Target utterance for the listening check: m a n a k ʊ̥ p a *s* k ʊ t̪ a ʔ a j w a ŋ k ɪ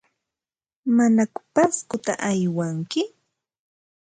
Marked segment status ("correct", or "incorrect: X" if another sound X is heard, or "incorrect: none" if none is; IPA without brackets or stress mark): correct